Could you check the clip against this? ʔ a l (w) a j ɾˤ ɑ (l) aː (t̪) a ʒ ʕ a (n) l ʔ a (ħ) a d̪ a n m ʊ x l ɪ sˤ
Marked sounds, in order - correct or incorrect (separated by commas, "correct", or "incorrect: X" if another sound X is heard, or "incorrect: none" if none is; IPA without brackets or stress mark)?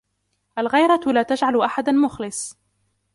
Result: incorrect: ɣ, correct, correct, incorrect: none, correct